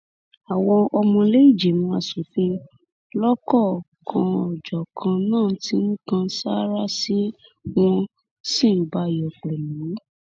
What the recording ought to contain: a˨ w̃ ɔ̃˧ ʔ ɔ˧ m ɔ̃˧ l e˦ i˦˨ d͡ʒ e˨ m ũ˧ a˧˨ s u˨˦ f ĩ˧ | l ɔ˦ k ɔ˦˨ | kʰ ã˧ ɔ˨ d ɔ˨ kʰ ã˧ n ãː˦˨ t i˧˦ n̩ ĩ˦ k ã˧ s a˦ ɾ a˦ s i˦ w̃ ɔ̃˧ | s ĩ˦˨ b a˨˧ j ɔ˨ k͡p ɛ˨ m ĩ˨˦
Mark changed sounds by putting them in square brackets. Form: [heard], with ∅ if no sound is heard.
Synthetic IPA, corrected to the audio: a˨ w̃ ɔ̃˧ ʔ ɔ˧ m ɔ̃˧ l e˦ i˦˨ d͡ʒ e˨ m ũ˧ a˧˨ s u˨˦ f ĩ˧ | l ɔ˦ k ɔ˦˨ | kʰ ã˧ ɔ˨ [d͡ʒ] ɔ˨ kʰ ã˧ n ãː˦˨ t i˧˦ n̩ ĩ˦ k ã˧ s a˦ ɾ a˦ s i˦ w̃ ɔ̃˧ | s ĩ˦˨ b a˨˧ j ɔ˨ k͡p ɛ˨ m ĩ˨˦